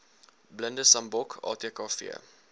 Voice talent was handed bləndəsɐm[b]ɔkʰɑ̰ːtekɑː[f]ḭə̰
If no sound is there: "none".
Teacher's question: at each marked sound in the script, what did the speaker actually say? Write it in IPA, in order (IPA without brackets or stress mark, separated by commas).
b, f